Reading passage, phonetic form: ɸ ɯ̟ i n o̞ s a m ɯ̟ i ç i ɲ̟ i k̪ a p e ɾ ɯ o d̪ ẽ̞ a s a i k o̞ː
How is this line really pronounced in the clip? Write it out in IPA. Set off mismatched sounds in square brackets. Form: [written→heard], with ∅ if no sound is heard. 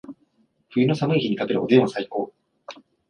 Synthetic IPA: ɸ ɯ̟ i n o̞ s a m ɯ̟ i ç i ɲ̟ i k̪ a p e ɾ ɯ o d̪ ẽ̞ a s a i k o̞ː